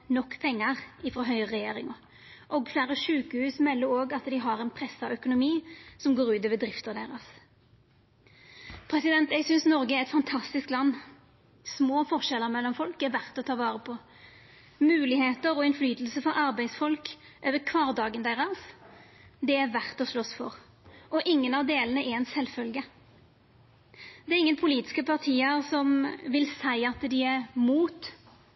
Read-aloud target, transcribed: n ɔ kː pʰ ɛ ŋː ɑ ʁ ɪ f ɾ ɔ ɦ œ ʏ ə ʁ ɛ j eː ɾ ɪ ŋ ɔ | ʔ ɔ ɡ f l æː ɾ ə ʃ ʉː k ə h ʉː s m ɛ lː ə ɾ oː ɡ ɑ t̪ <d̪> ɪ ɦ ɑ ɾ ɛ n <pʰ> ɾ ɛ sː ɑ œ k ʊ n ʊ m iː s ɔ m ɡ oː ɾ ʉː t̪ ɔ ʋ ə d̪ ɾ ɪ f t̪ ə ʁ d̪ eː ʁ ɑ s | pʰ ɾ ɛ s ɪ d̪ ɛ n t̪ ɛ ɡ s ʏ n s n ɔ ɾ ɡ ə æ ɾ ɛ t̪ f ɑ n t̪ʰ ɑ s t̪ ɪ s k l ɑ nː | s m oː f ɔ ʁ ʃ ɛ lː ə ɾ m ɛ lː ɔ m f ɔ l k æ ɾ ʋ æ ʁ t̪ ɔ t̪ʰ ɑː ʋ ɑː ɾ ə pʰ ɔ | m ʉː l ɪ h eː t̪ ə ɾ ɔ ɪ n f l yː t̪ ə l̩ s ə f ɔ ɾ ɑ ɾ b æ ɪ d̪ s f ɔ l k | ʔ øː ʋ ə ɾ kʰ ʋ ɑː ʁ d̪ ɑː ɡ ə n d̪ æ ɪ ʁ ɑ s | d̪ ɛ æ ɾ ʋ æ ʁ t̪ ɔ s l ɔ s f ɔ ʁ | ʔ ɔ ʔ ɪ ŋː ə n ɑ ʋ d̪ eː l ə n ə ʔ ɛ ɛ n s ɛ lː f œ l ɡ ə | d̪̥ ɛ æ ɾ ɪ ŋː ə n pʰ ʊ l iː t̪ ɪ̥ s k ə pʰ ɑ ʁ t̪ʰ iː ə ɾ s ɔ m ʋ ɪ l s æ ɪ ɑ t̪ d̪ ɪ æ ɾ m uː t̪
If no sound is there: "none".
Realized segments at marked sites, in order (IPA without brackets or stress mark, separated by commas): d̪, pʰ